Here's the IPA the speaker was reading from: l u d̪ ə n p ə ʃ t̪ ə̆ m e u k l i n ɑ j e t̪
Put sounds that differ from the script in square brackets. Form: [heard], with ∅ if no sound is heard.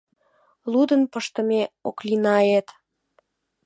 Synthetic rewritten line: l u d̪ ə n p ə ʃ t̪ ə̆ m e [o] k l i n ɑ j e t̪